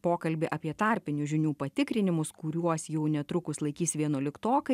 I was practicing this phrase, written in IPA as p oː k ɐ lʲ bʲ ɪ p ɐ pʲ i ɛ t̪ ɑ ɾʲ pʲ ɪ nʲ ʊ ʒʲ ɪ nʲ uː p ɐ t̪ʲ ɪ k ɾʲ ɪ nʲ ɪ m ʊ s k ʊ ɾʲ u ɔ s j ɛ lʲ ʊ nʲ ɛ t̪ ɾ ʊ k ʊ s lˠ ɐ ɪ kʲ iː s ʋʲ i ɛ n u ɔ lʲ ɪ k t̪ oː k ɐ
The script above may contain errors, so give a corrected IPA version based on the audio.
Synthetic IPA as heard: p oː k ɐ lʲ bʲ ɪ ʔ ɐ pʲ i ɛ t̪ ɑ ɾʲ pʲ ɪ nʲ ʊ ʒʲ ɪ nʲ uː p ɐ t̪ʲ ɪ k ɾʲ ɪ nʲ ɪ m ʊ s k ʊ ɾʲ u ɔ s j ɛ ʊ nʲ ɛ t̪ ɾ ʊ k ʊ s lˠ ɐ ɪ kʲ iː s ʋʲ i ɛ n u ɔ lʲ ɪ k t̪ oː k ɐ